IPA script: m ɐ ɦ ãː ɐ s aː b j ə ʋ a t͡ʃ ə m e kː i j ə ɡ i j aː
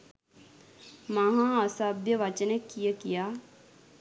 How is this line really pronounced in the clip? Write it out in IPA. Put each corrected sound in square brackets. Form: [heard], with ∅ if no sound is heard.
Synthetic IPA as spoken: m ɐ ɦ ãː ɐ s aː b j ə ʋ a t͡ʃ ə [n] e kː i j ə [k] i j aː